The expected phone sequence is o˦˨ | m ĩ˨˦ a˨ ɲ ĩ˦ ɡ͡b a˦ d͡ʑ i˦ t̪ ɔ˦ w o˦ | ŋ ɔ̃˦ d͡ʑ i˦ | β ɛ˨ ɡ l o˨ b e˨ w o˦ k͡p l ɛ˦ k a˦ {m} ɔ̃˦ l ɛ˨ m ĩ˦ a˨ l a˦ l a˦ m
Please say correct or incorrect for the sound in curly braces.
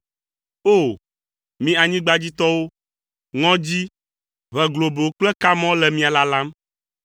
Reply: correct